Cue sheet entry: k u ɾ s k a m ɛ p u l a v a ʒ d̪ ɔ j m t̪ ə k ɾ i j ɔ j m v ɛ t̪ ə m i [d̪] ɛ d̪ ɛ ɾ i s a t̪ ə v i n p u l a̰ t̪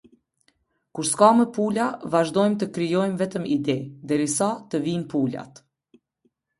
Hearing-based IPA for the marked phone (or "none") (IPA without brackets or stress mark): d̪